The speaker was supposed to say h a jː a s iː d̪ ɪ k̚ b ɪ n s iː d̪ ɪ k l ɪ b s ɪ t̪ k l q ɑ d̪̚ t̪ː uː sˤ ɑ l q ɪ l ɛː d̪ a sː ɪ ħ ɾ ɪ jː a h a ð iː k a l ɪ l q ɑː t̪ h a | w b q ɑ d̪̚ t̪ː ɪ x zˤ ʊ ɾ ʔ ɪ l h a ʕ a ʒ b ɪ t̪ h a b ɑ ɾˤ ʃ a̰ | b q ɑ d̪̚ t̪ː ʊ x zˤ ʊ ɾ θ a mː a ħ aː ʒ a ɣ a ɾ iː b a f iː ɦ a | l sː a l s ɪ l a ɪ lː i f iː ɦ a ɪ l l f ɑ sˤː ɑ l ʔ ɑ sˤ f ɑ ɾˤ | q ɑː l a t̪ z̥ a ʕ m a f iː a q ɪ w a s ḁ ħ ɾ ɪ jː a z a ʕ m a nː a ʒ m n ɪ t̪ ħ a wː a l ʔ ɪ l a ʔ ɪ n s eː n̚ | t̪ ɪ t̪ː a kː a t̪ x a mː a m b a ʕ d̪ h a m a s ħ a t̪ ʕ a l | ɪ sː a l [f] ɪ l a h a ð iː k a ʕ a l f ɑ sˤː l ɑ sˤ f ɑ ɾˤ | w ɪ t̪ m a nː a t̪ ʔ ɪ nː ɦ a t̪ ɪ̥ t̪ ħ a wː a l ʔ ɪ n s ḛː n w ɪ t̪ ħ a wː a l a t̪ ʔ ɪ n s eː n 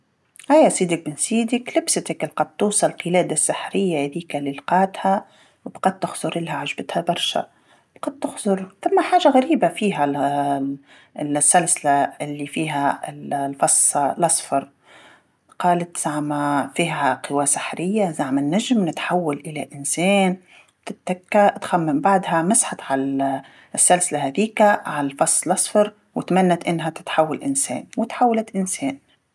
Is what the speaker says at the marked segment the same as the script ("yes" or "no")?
no